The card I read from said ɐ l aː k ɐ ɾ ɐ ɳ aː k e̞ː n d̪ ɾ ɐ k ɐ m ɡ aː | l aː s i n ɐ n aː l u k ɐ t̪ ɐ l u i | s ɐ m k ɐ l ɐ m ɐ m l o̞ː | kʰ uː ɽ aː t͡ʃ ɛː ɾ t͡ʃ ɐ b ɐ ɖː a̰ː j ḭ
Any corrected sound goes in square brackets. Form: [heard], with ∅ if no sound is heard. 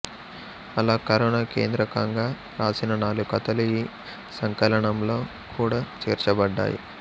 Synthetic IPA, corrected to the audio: ɐ l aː k ɐ ɾ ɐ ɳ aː k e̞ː n d̪ ɾ ɐ k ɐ [ŋ] ɡ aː | [ɾ] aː s i n ɐ n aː l u k ɐ t̪ ɐ l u i | s ɐ [ŋ] k ɐ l ɐ [ɳ] ɐ m l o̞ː | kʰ uː ɽ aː t͡ʃ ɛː ɾ t͡ʃ ɐ b ɐ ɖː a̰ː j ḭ